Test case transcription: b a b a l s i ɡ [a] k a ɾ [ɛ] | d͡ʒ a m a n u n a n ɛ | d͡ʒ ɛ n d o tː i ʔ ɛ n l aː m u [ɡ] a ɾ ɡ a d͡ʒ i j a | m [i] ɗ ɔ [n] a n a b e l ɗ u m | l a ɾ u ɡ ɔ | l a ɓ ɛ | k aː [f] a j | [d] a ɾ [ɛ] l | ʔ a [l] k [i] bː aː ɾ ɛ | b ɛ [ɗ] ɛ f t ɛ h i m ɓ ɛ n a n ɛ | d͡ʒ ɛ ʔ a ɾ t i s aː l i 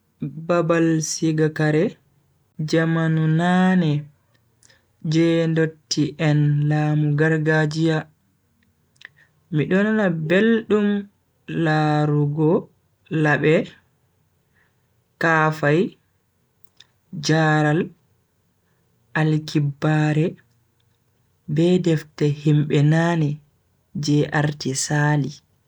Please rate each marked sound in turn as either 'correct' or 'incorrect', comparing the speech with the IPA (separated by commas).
correct, correct, correct, correct, correct, correct, incorrect, incorrect, correct, correct, incorrect